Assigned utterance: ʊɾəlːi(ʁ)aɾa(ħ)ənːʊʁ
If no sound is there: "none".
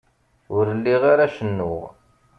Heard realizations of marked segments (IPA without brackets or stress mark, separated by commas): ʁ, ʃ